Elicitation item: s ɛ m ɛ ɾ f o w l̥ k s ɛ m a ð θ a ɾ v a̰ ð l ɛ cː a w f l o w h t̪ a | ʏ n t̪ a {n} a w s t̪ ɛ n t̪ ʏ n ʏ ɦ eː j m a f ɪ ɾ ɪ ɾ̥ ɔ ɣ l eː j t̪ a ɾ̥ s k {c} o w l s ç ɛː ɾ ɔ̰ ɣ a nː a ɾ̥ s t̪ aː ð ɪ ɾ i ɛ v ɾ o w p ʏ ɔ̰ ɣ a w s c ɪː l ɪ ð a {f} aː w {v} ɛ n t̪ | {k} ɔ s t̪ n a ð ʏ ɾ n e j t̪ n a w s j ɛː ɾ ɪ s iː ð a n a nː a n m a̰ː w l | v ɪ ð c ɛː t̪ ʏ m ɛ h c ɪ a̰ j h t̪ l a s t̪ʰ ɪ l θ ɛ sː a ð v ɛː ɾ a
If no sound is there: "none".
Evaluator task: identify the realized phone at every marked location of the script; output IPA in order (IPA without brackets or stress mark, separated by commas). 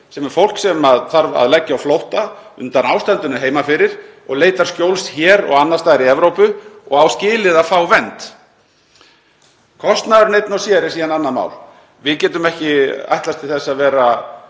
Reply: n, c, f, v, kʰ